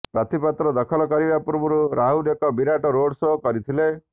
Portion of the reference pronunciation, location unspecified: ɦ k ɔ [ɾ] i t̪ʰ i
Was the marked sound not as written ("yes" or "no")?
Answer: no